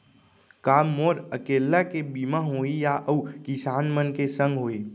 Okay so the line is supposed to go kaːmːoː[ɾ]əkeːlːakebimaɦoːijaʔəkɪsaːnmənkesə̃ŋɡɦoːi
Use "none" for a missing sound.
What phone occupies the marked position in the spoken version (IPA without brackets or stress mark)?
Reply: ɾ